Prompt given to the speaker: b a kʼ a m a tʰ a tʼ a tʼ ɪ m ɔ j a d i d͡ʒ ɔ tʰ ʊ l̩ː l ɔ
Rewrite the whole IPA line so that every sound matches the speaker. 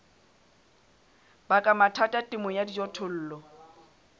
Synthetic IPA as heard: b a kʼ a m a tʰ a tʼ a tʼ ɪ m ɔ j a d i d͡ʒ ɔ tʰ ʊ l̩ː l ɔ